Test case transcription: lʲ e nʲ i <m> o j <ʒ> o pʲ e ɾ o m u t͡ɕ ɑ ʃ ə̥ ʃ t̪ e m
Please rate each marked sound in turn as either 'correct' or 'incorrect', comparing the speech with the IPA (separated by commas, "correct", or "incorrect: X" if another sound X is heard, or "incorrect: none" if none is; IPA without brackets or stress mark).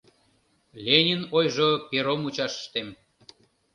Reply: incorrect: n, correct